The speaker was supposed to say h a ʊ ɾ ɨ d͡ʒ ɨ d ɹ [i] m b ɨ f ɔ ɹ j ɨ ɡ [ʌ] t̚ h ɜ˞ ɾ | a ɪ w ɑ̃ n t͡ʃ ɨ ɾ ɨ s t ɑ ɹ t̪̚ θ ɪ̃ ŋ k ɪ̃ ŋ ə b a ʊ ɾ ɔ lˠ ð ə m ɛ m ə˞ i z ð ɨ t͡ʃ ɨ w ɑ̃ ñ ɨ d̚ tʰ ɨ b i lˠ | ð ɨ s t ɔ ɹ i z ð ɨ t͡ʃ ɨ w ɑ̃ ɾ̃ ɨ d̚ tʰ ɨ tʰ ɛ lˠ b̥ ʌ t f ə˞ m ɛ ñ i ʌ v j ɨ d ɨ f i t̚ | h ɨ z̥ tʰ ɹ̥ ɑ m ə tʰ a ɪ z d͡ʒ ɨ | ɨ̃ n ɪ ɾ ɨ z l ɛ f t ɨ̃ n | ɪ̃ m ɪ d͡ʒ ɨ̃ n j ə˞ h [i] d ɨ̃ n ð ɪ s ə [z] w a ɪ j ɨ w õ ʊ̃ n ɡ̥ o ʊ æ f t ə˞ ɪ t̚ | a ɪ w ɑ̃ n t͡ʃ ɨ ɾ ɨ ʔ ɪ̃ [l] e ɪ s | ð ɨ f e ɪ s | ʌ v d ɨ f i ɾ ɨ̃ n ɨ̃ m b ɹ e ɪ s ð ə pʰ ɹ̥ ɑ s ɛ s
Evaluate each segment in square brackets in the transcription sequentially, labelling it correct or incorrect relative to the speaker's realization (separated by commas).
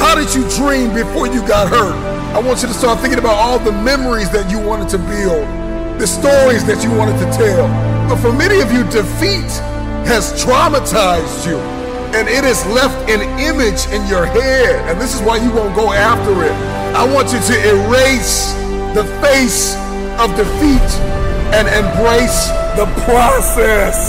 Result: incorrect, incorrect, incorrect, correct, incorrect